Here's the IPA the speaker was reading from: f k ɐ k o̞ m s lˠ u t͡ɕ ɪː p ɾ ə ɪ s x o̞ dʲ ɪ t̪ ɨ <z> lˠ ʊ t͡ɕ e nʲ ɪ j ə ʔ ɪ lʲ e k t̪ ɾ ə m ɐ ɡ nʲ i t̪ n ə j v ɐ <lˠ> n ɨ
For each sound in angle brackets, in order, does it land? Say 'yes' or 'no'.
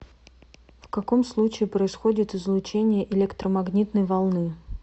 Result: yes, yes

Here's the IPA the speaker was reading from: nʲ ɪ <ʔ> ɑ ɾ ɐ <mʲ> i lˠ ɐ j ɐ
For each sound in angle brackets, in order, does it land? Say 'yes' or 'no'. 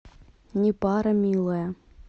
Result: no, yes

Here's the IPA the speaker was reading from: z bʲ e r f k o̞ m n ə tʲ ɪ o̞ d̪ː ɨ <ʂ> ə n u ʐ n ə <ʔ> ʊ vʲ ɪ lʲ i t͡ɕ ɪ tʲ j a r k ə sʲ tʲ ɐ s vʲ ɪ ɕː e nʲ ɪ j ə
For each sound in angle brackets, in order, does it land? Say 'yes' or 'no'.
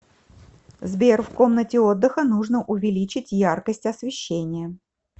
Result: no, yes

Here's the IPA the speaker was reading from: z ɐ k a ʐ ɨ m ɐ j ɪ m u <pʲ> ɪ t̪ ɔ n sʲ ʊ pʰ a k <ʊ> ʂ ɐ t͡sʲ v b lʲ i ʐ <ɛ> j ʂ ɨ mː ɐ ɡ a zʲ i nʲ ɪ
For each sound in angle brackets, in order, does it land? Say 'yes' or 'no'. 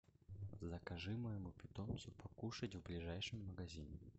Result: yes, no, no

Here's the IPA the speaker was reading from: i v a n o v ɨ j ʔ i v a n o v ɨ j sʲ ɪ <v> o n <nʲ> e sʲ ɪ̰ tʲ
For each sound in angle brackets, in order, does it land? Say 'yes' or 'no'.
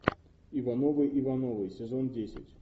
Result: no, no

